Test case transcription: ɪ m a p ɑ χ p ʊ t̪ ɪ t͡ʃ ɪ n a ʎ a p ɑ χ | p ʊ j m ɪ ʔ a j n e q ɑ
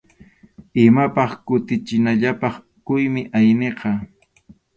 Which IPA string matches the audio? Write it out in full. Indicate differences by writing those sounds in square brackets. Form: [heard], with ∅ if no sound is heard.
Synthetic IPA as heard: ɪ m a p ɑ χ [k] ʊ t̪ ɪ t͡ʃ ɪ n a ʎ a p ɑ χ | [k] ʊ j m ɪ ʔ a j n e q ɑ